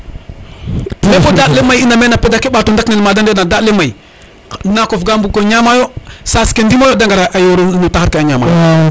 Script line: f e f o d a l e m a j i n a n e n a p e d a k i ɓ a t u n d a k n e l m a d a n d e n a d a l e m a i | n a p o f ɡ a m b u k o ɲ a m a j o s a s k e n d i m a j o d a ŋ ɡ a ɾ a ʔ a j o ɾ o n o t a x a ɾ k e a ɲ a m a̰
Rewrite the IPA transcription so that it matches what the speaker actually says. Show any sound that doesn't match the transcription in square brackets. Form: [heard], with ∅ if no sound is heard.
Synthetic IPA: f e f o d a l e m a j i n a [m] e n a p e d a k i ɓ a t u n d a k n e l m a d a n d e n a d a l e m a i | n a [k] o f ɡ a m b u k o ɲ a m a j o s a s k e n d i m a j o d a ŋ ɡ a ɾ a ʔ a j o ɾ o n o t a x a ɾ k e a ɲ a m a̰